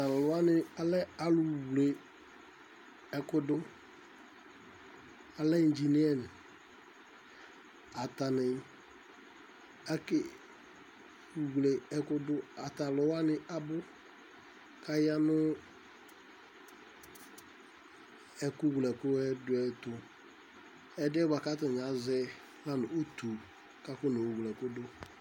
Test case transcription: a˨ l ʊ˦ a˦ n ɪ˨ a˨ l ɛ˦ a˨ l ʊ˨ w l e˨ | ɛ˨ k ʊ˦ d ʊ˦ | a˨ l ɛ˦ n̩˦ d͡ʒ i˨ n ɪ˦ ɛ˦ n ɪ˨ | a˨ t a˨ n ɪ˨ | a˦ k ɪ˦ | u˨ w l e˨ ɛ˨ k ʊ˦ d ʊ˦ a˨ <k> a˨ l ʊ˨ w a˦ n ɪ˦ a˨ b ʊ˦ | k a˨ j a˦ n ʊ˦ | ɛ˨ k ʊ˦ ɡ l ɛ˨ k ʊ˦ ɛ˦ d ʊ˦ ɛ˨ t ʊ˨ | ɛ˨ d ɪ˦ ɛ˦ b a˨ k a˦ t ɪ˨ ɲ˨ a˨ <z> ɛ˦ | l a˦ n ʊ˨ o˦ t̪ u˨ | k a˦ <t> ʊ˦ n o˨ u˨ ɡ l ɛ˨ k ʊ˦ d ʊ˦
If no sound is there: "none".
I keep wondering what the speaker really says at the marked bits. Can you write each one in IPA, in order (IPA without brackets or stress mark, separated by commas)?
t, z, k